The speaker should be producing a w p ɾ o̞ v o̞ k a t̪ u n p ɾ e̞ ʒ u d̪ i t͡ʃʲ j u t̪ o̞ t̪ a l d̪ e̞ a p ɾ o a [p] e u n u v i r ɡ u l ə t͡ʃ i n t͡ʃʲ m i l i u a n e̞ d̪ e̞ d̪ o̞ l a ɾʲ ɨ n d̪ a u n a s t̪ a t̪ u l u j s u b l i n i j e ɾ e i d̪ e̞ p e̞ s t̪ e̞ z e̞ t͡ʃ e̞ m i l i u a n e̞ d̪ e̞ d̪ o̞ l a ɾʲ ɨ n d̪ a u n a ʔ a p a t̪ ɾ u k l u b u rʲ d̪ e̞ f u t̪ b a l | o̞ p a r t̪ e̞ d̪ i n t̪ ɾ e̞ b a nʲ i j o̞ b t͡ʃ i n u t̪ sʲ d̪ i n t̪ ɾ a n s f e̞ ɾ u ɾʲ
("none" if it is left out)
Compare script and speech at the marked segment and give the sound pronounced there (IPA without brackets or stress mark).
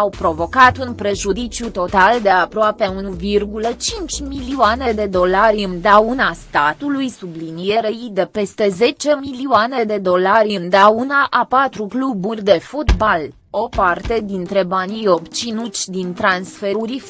p